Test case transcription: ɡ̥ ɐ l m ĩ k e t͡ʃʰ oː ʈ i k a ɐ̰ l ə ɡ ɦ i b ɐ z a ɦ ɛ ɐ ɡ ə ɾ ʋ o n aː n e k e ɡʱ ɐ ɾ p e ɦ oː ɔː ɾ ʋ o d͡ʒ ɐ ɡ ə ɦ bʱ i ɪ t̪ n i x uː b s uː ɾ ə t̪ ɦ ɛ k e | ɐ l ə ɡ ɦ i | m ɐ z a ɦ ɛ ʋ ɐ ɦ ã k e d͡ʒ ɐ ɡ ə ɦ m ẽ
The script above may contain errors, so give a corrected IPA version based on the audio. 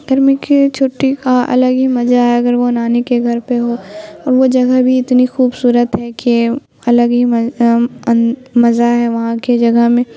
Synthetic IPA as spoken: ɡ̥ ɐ ɾ m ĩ k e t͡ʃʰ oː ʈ i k a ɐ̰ l ə ɡ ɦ i m ɐ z a ɦ ɛ ɐ ɡ ə ɾ ʋ o n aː n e k e ɡʱ ɐ ɾ p e ɦ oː ɔː ɾ ʋ o d͡ʒ ɐ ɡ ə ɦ bʱ i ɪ t̪ n i x uː b s uː ɾ ə t̪ ɦ ɛ k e | ɐ l ə ɡ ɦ i | m ɐ z a ɦ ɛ ʋ ɐ ɦ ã k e d͡ʒ ɐ ɡ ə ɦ m ẽ

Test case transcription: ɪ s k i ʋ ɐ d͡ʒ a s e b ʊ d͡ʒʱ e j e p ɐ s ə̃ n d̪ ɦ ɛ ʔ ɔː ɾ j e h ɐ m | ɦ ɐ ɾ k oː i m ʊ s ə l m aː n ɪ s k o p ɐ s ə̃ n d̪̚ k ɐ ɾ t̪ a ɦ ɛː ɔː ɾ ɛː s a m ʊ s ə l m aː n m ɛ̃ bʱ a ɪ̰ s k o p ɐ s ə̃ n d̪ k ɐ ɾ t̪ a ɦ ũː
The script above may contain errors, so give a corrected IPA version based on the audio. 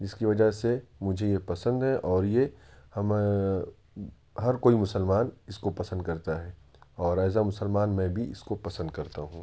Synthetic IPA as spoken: ɪ s k i ʋ ɐ d͡ʒ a s e m ʊ d͡ʒʱ e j e p ɐ s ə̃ n d̪ ɦ ɛ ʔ ɔː ɾ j e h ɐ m | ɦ ɐ ɾ k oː i m ʊ s ə l m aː n ɪ s k o p ɐ s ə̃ n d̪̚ k ɐ ɾ t̪ a ɦ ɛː ɔː ɾ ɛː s a m ʊ s ə l m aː n m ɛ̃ bʱ i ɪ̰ s k o p ɐ s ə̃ n d̪ k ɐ ɾ t̪ a ɦ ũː

